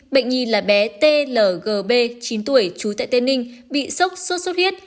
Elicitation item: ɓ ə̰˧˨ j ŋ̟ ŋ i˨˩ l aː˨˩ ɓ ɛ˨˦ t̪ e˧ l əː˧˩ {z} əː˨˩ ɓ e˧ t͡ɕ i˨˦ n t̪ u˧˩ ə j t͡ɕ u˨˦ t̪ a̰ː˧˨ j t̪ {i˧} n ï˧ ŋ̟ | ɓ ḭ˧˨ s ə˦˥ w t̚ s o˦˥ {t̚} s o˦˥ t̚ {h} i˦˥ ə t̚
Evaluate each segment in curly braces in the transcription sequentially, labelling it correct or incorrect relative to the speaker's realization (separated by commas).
incorrect, incorrect, correct, correct